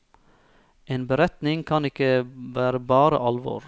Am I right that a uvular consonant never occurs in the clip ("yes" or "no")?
yes